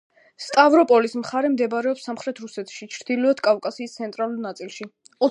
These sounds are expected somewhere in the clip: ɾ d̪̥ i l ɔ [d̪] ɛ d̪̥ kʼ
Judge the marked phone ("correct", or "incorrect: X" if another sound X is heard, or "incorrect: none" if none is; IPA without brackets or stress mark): incorrect: none